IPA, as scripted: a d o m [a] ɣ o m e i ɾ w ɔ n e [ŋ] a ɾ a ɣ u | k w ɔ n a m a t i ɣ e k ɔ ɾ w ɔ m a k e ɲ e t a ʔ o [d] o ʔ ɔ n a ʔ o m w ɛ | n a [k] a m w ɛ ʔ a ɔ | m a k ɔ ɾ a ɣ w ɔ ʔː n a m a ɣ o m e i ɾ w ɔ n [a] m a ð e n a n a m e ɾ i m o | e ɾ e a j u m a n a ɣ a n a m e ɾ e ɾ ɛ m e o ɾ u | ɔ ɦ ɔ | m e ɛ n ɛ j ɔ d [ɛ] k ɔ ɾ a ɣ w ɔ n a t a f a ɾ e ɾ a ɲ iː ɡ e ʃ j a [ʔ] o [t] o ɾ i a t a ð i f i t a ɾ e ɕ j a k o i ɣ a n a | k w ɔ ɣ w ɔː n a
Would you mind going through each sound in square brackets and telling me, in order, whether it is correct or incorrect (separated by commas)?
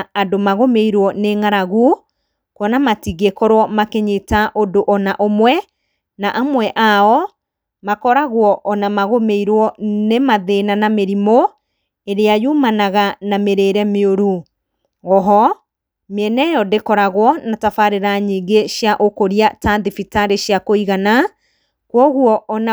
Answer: correct, correct, correct, incorrect, incorrect, incorrect, correct, incorrect